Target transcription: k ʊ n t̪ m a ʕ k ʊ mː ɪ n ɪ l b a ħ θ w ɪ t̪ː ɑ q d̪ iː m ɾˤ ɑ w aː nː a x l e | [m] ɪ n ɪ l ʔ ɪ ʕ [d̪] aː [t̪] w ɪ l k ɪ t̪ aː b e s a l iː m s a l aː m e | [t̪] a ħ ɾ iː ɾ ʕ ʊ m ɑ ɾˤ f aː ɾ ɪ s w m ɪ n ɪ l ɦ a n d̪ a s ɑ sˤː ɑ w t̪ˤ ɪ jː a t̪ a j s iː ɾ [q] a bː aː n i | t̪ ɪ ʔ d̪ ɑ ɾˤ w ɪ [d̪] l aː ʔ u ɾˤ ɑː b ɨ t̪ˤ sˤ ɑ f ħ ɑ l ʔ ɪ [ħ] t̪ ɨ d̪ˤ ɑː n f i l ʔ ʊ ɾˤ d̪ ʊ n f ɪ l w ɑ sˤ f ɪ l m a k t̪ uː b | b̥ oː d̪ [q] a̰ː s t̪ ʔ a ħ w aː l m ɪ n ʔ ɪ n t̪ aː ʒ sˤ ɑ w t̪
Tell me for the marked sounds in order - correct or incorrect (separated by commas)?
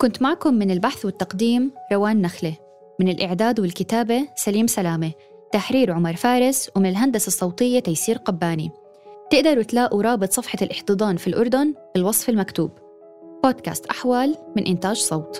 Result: correct, correct, incorrect, correct, correct, incorrect, correct, incorrect